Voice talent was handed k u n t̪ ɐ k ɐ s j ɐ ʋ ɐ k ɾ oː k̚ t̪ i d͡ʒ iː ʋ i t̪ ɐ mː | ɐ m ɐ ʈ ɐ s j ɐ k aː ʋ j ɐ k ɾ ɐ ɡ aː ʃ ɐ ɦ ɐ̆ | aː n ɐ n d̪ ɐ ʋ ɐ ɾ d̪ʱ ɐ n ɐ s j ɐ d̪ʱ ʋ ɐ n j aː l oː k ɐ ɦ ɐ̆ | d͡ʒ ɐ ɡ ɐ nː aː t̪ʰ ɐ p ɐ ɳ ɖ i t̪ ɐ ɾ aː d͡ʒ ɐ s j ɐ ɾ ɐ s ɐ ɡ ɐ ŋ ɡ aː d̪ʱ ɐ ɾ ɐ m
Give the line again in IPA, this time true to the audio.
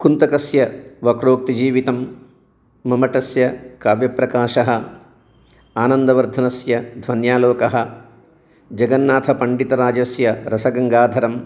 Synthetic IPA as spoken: k u n t̪ ɐ k ɐ s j ɐ ʋ ɐ k ɾ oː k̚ t̪ i d͡ʒ iː ʋ i t̪ ɐ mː | ɐ m ɐ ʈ ɐ s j ɐ k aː ʋ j ɐ p ɾ ɐ k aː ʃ ɐ ɦ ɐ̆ | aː n ɐ n d̪ ɐ ʋ ɐ ɾ d̪ʱ ɐ n ɐ s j ɐ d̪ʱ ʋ ɐ n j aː l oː k ɐ ɦ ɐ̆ | d͡ʒ ɐ ɡ ɐ nː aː t̪ʰ ɐ p ɐ ɳ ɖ i t̪ ɐ ɾ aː d͡ʒ ɐ s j ɐ ɾ ɐ s ɐ ɡ ɐ ŋ ɡ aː d̪ʱ ɐ ɾ ɐ m

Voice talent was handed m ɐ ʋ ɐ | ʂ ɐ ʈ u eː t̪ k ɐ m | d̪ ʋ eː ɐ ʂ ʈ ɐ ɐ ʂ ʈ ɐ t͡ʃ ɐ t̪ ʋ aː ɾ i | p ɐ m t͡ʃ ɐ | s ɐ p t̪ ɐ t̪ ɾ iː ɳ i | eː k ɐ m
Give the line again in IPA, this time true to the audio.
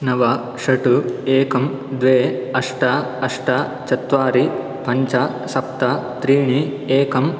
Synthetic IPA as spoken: n ɐ ʋ ɐ | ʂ ɐ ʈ u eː k ɐ m | d̪ ʋ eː ɐ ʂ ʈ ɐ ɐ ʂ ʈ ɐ t͡ʃ ɐ t̪ ʋ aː ɾ i | p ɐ ɲ t͡ʃ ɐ | s ɐ p t̪ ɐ t̪ ɾ iː ɳ i | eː k ɐ m

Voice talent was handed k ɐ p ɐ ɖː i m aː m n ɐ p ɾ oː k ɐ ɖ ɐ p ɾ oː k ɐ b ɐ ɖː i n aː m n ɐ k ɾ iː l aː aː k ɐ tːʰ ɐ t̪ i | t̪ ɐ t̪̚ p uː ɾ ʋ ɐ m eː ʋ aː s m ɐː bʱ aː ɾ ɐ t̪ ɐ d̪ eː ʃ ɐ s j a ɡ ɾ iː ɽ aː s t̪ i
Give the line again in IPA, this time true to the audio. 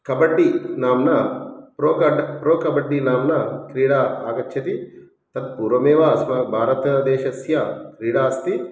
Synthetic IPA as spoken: k ɐ b ɐ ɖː i n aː m n ɐ p ɾ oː k ɐ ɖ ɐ p ɾ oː k ɐ b ɐ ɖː i n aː m n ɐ k ɾ iː ɽ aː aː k ɐ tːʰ ɐ t̪ i | t̪ ɐ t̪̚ p uː ɾ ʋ ɐ m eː ʋ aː s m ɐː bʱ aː ɾ ɐ t̪ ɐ d̪ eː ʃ ɐ s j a k ɾ iː ɽ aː s t̪ i

